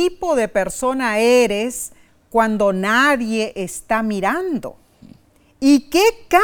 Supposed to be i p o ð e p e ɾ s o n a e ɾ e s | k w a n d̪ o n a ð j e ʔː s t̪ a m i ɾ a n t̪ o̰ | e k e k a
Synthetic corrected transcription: i p o ð e p e ɾ s o n a e ɾ e s | k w a n d̪ o n a ð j e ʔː s t̪ a m i ɾ a n d̪ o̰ | i k e k a